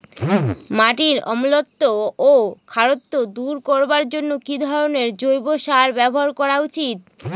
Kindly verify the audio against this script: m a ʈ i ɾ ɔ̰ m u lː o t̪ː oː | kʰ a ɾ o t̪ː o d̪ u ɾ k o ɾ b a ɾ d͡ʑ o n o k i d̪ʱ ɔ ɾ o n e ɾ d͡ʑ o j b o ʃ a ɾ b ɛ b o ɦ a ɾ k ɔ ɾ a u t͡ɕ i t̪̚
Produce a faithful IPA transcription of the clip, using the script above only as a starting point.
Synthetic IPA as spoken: m a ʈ i ɾ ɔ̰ m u l o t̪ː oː | kʰ a ɾ o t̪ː o d̪ u ɾ k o ɾ b a ɾ d͡ʑ o nː o k i d̪ʱ ɔ ɾ o n e ɾ d͡ʑ o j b o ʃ a ɾ b ɛ b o ɦ a ɾ k ɔ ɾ a u t͡ɕ i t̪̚